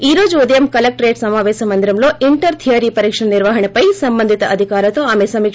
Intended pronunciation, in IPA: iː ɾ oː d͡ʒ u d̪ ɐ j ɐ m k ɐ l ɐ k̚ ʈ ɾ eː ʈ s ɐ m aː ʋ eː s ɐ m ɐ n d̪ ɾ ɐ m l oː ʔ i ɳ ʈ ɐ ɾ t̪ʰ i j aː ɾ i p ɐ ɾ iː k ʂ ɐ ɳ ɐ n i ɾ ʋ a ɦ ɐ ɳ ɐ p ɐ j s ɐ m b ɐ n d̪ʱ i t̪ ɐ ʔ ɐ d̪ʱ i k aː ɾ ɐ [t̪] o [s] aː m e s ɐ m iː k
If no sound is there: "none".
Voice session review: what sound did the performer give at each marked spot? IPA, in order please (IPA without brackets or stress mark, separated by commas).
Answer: t̪, none